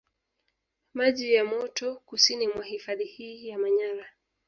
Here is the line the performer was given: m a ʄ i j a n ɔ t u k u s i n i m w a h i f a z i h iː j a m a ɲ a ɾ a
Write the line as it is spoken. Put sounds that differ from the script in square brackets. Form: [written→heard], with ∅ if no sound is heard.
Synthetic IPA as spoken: m a ʄ i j a [n→m] ɔ t [u→ɔ] k u s i n i m w a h i f a [z→ð] i h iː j a m a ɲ a ɾ a